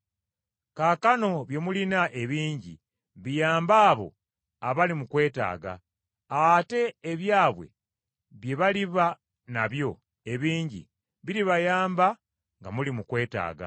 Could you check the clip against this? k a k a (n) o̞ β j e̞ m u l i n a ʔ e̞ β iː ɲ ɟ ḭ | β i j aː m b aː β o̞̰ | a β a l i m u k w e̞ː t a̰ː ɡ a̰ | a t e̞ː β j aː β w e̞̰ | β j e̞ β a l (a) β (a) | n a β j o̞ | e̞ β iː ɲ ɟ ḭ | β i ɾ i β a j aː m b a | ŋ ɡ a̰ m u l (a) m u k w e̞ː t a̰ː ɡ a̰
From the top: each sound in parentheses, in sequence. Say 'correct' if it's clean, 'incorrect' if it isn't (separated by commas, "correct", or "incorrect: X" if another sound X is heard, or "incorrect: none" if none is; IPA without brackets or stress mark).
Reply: correct, incorrect: i, correct, incorrect: i